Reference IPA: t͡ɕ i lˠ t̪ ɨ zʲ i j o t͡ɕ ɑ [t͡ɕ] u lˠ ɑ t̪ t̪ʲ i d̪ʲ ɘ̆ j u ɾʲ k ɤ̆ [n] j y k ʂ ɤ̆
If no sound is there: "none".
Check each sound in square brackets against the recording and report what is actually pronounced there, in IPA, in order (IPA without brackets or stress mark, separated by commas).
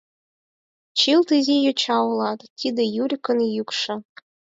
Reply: none, n